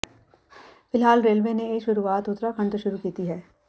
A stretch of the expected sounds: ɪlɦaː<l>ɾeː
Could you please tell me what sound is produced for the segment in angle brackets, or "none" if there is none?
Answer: l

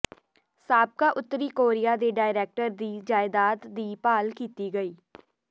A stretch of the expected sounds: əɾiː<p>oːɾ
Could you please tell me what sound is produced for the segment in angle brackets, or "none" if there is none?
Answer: k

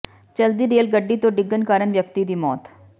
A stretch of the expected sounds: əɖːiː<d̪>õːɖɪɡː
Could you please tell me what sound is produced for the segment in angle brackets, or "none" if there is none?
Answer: t̪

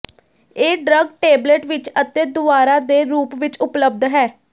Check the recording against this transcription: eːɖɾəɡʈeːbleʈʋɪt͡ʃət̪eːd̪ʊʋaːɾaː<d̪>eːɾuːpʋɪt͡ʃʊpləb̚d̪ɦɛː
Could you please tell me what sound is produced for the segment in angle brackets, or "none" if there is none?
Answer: d̪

